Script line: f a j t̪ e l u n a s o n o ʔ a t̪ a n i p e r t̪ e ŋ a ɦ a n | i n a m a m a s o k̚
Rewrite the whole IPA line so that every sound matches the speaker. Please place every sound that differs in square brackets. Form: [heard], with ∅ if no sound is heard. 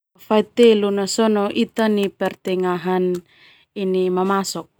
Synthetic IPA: f a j t̪ e l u n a s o n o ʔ [i] t̪ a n i p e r t̪ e ŋ a ɦ a n | i n [i] m a m a s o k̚